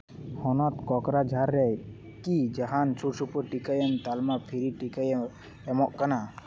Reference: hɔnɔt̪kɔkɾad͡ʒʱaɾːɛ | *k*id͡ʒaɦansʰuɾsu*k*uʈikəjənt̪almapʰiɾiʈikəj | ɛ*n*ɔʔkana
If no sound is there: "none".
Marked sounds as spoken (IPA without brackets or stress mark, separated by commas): k, p, m